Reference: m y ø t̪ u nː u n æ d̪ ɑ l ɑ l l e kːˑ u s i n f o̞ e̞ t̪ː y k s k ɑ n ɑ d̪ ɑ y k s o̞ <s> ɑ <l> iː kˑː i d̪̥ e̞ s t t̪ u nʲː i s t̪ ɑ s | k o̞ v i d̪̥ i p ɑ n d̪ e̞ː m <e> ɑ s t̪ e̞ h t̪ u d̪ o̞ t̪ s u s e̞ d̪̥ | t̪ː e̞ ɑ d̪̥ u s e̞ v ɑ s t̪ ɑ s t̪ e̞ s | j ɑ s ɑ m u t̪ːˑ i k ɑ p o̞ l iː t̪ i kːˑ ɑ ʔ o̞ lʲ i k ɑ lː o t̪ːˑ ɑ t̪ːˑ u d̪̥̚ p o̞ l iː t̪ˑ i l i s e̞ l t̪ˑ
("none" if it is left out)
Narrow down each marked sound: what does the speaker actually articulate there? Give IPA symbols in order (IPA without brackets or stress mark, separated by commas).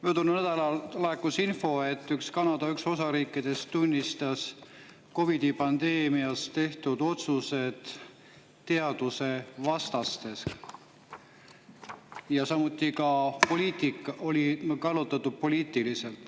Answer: s, ɾ, i